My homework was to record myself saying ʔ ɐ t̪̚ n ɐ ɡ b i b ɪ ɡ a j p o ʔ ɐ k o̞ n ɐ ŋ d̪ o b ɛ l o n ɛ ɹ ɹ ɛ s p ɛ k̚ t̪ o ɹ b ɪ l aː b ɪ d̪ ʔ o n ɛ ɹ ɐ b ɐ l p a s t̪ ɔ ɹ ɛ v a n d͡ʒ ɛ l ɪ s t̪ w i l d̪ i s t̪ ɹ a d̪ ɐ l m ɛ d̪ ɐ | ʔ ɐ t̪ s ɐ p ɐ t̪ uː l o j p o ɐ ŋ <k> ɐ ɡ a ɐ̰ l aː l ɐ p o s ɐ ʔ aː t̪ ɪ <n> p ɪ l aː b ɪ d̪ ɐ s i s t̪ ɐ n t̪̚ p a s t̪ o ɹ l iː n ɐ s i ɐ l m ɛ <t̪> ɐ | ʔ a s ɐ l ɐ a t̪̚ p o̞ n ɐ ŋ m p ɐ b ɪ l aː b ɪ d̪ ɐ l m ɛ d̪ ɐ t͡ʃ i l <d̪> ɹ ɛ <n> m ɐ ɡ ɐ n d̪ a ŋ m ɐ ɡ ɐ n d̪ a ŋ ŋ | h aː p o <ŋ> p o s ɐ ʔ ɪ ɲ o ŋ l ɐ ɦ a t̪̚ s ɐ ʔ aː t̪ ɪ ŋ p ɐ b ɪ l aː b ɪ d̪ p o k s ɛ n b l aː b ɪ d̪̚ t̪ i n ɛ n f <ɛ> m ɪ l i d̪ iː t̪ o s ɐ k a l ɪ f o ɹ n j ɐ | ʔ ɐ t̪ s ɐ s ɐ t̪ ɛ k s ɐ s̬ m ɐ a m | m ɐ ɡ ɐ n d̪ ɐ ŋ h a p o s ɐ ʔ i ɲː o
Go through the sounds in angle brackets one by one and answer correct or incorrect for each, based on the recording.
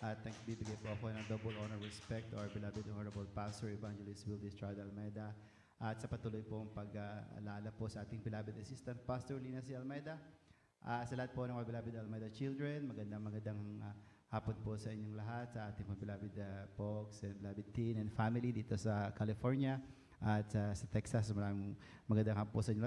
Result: incorrect: p, incorrect: ŋ, incorrect: d̪, correct, correct, incorrect: n, incorrect: a

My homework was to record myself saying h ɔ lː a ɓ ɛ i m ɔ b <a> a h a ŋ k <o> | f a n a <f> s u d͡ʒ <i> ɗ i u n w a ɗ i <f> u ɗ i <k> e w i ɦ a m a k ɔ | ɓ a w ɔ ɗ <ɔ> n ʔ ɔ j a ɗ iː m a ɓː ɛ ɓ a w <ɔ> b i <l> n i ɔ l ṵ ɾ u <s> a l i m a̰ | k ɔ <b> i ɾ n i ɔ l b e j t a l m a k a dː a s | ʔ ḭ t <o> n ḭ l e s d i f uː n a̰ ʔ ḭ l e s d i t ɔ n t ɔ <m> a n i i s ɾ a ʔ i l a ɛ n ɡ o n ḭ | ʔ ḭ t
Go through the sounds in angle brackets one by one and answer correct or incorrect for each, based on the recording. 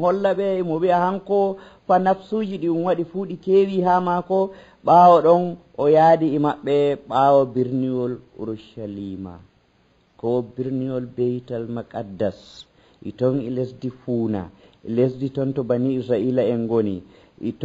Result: incorrect: i, incorrect: ɔ, correct, correct, correct, correct, correct, correct, incorrect: ɾ, incorrect: ʃ, correct, incorrect: ɔ, incorrect: b

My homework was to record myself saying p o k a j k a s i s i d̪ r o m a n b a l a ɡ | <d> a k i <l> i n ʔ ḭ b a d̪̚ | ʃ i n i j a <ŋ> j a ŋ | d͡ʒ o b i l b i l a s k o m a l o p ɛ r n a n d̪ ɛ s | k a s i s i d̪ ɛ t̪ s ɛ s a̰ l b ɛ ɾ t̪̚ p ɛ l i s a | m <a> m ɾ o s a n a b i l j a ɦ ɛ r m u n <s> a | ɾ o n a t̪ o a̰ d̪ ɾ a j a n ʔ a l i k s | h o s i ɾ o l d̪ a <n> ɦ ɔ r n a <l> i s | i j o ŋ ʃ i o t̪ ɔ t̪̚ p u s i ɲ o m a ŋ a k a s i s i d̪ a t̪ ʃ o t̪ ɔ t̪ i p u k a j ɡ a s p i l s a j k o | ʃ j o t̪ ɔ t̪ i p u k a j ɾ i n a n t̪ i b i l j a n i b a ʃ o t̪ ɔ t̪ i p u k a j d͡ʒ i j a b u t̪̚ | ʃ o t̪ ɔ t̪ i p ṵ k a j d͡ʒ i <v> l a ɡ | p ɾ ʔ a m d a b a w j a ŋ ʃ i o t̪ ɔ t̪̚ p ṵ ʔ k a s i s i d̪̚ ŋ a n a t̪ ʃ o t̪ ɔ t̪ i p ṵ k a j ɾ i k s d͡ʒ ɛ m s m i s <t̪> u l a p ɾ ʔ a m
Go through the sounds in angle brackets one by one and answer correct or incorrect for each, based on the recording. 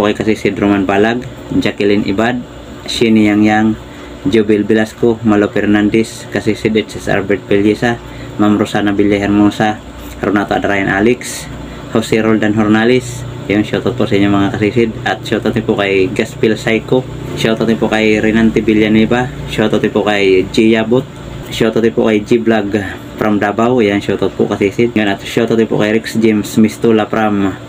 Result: incorrect: d͡ʒ, correct, correct, correct, correct, correct, correct, incorrect: b, correct

